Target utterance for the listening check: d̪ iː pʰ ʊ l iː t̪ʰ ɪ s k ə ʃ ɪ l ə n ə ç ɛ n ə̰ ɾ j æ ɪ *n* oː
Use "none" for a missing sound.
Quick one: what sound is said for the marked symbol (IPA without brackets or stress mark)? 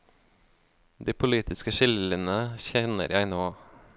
n